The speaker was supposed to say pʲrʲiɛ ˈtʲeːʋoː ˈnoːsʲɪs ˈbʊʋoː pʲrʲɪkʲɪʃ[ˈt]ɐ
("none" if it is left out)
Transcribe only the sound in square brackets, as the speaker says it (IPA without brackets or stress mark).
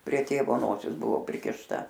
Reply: t